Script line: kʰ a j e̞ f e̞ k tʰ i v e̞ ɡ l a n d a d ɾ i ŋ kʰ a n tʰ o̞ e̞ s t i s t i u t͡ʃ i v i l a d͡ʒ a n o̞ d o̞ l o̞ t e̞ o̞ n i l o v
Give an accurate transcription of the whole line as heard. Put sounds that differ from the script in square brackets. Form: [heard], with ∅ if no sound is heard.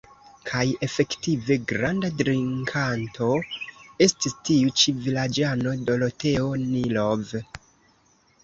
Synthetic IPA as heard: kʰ a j e̞ f e̞ k [t] i v e̞ ɡ [ɾ] a n d a d ɾ i ŋ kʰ a n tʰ o̞ e̞ s t i s t i u t͡ʃ i v i l a d͡ʒ a n o̞ d o̞ l o̞ t e̞ o̞ n i l o v